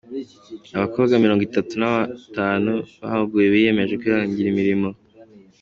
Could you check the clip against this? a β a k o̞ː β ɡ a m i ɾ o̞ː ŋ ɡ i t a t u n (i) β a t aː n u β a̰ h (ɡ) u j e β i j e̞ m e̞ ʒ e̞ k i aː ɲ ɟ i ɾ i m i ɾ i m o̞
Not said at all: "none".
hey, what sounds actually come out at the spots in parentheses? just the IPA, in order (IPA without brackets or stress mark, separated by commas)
a, ɡ